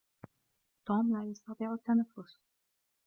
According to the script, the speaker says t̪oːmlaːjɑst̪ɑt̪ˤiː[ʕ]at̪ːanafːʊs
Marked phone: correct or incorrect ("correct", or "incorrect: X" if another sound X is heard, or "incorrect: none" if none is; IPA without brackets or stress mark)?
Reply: correct